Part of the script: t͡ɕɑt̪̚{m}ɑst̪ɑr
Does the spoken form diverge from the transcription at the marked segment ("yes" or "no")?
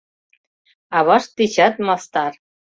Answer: no